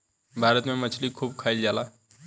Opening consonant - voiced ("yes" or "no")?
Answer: yes